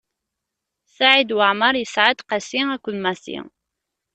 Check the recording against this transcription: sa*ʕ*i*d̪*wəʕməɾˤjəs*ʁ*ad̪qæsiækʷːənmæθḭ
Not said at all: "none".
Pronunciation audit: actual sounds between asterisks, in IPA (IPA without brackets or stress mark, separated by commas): ʕ, d̪, ʕ